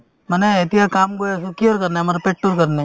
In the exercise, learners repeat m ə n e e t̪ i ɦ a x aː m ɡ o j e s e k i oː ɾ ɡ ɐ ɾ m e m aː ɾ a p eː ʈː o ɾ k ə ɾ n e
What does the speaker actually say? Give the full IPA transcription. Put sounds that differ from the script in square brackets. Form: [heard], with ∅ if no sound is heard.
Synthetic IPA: m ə n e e t̪ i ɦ a [k] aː m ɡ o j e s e k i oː ɾ [k] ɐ ɾ [n] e m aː ɾ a p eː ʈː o ɾ k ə ɾ n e